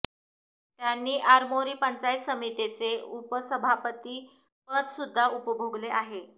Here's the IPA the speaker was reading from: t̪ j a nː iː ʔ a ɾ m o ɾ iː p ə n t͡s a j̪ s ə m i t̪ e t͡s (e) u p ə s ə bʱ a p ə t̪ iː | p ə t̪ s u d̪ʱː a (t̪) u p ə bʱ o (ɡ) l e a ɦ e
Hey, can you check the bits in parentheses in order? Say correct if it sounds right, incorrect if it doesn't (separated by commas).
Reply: correct, incorrect, correct